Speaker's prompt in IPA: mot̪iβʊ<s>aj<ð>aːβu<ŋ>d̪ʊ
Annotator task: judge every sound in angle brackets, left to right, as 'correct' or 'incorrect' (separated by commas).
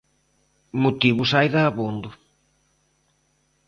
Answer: correct, correct, incorrect